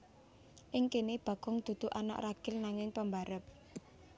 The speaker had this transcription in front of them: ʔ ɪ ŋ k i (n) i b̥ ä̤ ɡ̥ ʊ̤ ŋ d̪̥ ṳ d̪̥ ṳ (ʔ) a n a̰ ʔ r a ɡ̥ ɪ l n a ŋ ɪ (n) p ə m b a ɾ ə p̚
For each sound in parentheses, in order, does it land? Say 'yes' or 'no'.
yes, yes, no

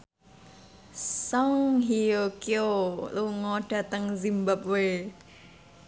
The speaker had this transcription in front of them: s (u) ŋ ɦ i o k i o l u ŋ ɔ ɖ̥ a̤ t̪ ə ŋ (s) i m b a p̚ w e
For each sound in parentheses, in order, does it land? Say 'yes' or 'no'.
no, no

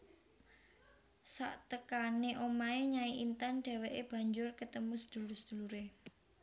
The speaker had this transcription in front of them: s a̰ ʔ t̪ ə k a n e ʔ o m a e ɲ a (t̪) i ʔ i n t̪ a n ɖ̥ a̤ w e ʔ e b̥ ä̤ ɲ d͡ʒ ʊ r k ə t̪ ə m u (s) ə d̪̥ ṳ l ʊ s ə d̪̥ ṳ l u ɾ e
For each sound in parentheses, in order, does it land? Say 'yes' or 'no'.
no, yes

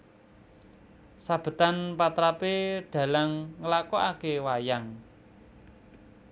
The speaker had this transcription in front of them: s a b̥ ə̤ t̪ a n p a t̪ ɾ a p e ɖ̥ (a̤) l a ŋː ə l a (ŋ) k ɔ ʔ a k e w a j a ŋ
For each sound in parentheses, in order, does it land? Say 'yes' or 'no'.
yes, no

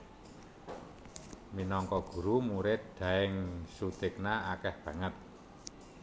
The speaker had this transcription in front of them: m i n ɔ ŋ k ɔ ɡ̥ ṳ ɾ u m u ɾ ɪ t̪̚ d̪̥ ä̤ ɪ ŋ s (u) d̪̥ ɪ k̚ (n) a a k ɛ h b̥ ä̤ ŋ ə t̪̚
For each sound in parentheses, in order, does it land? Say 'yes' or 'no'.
yes, yes

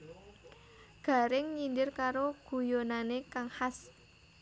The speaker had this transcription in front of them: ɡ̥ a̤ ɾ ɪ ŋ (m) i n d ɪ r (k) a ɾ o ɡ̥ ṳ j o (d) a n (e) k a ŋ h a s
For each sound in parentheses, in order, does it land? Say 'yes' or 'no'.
no, yes, no, yes

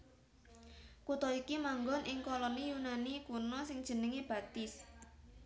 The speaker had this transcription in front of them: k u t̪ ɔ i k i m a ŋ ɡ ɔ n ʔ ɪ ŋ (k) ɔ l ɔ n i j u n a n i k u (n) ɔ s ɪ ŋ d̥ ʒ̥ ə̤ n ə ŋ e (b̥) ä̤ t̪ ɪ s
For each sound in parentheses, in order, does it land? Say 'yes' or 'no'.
yes, yes, yes

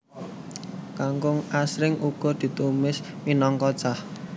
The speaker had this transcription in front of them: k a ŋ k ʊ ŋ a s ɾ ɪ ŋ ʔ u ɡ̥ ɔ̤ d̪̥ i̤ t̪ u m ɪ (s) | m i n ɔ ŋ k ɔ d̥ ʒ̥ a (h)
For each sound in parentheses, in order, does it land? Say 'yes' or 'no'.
yes, yes

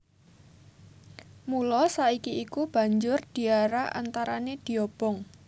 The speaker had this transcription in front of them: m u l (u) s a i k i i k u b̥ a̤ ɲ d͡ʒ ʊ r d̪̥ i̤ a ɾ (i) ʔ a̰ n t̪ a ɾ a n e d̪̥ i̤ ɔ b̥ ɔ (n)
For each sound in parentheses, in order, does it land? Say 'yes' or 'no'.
no, no, no

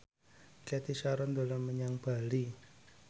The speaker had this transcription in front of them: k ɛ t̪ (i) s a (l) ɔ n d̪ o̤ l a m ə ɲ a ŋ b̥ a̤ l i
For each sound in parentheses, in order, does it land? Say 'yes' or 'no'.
yes, no

